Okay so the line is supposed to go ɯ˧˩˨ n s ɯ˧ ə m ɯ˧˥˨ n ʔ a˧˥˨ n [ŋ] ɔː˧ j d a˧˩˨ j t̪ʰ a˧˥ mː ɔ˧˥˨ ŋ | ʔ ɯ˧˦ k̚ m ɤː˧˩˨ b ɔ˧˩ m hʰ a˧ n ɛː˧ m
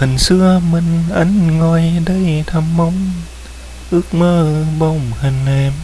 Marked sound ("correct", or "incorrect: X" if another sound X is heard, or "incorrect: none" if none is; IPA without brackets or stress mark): correct